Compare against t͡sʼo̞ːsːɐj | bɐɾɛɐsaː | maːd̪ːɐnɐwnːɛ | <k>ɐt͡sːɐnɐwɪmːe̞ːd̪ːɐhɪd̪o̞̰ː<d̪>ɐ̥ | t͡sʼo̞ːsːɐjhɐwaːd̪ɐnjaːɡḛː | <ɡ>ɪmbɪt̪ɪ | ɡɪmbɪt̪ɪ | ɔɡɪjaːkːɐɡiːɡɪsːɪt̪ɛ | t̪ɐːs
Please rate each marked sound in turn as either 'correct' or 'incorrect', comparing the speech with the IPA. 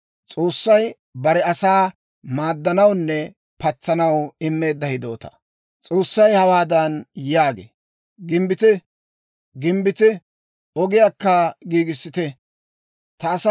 incorrect, incorrect, correct

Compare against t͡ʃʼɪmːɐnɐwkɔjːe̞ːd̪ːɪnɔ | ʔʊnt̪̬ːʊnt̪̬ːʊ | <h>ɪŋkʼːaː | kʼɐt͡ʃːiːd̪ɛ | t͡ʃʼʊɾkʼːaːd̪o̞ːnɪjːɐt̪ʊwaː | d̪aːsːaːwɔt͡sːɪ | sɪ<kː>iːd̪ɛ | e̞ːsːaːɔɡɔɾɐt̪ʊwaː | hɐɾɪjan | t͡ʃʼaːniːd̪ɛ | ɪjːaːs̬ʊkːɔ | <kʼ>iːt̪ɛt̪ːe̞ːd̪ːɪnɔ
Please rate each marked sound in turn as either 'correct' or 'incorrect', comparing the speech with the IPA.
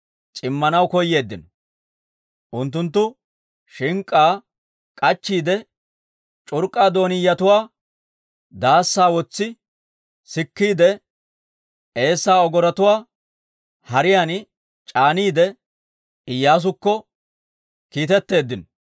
incorrect, correct, incorrect

